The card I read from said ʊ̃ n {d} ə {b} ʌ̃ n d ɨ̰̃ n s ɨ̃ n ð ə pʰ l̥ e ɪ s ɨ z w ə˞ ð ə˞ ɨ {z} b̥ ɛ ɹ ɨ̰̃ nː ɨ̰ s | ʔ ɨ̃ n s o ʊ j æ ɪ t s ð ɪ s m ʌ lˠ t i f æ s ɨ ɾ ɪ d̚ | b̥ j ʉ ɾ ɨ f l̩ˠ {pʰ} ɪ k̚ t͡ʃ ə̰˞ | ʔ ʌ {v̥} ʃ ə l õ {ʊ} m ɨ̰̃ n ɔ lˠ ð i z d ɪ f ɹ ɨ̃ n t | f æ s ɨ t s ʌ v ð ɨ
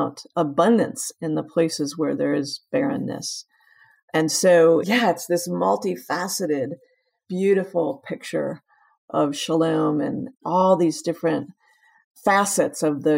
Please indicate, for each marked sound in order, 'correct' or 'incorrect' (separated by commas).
incorrect, correct, correct, correct, correct, incorrect